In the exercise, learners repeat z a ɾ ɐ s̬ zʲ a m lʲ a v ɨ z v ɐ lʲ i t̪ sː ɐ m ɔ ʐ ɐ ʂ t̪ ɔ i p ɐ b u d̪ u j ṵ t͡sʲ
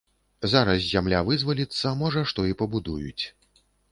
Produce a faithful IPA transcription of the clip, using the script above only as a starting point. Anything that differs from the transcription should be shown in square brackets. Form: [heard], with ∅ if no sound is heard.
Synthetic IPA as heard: z a ɾ ɐ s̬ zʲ a m lʲ a v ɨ z v ɐ lʲ i t̪ sː ɐ m ɔ ʐ ɐ ʂ t̪ ɔ i p ɐ b u d̪ u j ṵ t͡sʲ

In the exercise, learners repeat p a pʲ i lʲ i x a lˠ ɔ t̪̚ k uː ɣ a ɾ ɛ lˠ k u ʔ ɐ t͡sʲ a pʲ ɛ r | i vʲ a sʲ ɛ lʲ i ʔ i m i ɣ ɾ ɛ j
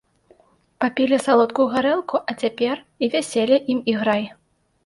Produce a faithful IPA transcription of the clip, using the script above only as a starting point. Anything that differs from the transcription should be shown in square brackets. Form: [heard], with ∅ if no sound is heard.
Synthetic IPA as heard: p a pʲ i lʲ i [s] a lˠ ɔ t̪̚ k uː ɣ a ɾ ɛ lˠ k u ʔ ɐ t͡sʲ a pʲ ɛ r | i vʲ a sʲ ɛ lʲ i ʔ i m i ɣ ɾ [a] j

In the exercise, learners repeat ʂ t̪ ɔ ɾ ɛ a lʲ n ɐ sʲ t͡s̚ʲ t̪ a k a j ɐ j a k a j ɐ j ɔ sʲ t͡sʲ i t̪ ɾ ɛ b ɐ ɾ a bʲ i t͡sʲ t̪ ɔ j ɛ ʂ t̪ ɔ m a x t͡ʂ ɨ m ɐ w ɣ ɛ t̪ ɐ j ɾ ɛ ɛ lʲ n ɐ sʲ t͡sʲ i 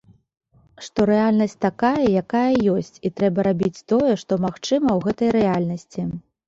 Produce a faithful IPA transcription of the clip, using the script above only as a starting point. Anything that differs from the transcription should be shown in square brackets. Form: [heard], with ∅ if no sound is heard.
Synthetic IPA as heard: ʂ t̪ ɔ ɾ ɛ a lʲ n ɐ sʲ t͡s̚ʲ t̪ a k a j ɐ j a k a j ɐ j ɔ sʲ t͡sʲ i t̪ ɾ ɛ b ɐ ɾ a bʲ i t͡sʲ t̪ ɔ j ɛ ʂ t̪ ɔ m a x t͡ʂ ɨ m ɐ w ɣ ɛ t̪ ɐ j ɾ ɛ [a] lʲ n ɐ sʲ t͡sʲ i

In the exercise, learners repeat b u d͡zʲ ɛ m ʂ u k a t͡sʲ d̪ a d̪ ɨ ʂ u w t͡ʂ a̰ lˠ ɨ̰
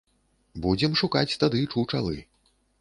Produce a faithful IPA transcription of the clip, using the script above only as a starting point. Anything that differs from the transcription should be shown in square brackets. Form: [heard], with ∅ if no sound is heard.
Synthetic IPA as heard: b u d͡zʲ ɛ m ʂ u k a t͡sʲ [t̪] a d̪ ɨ [t͡ʂ] u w t͡ʂ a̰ lˠ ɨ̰

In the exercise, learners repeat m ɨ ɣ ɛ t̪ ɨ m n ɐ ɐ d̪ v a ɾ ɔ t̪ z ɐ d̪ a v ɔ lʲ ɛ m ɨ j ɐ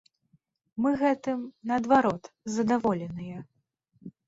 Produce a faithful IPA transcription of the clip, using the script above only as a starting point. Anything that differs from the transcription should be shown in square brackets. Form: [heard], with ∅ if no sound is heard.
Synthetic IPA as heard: m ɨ ɣ ɛ t̪ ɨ m n ɐ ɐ d̪ v a ɾ ɔ t̪ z ɐ d̪ a v ɔ lʲ ɛ [n] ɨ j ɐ

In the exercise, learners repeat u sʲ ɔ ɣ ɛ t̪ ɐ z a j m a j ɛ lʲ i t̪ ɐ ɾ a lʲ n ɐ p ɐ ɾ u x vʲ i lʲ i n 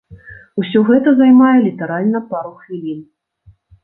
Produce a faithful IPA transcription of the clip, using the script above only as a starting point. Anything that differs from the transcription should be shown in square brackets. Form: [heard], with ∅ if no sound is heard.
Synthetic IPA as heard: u sʲ ɔ ɣ ɛ t̪ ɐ z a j m a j ɛ lʲ i t̪ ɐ ɾ a lʲ n ɐ p [a] ɾ u x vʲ i lʲ i n

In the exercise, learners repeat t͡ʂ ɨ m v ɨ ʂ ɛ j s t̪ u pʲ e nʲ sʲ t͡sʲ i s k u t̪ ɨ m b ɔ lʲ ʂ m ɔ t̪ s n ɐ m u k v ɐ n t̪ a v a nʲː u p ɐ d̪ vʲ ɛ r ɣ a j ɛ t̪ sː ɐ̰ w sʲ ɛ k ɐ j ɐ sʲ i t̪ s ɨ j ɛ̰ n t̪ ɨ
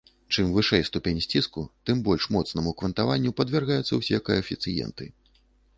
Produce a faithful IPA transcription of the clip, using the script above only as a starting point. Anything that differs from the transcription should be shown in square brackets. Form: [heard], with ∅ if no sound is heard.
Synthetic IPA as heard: t͡ʂ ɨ m v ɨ ʂ ɛ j s t̪ u pʲ e nʲ sʲ t͡sʲ i s k u t̪ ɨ m b ɔ lʲ ʂ m ɔ t̪ s n ɐ m u k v ɐ n t̪ a v a nʲː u p ɐ d̪ vʲ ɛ r ɣ a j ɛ t̪ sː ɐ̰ w sʲ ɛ k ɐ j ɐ [fʲ] i t̪ s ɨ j ɛ̰ n t̪ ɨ

